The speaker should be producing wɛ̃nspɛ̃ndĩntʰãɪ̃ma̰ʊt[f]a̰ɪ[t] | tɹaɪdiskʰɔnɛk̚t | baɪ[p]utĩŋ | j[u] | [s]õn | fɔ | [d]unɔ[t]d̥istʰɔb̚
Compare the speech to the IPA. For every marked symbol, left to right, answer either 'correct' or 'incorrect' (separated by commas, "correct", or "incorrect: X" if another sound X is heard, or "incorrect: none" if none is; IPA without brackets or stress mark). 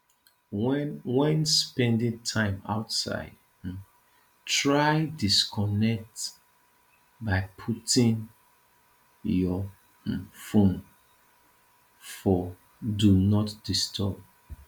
incorrect: s, incorrect: d, incorrect: pʰ, incorrect: ɔ, incorrect: f, correct, correct